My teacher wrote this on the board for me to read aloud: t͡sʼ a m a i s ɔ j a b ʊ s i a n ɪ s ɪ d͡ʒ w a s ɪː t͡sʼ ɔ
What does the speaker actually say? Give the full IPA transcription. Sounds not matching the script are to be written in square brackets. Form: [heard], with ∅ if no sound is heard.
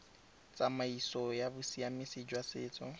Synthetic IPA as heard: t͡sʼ a m a i s ɔ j a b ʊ s i a [m] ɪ s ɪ d͡ʒ w a s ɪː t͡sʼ ɔ